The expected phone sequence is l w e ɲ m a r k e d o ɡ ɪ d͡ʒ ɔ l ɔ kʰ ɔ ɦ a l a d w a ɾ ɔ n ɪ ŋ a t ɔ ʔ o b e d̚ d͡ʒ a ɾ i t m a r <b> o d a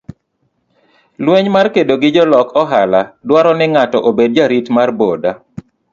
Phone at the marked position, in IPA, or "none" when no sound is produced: b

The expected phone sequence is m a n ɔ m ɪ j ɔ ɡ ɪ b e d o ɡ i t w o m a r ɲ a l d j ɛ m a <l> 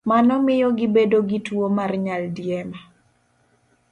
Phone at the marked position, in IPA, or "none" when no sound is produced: none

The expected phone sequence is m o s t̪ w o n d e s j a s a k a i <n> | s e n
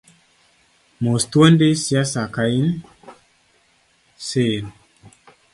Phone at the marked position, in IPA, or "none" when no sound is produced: n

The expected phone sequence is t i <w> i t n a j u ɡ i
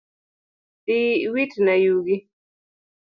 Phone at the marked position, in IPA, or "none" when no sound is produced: w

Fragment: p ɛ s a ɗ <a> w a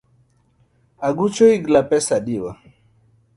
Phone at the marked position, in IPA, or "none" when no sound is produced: i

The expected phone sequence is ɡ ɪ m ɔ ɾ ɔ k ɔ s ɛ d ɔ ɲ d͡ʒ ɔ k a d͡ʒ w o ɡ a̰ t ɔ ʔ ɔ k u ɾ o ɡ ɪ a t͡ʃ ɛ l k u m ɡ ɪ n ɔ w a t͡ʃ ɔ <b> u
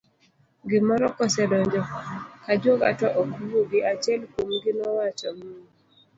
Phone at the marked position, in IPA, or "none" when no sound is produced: m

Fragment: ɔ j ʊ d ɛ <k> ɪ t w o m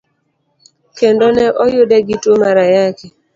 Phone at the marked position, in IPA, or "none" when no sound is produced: ɡ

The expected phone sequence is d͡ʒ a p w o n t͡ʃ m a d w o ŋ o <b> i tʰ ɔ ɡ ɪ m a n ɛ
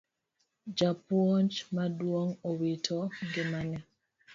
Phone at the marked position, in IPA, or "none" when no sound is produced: w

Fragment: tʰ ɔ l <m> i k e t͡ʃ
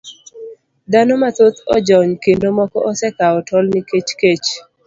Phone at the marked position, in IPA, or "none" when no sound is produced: n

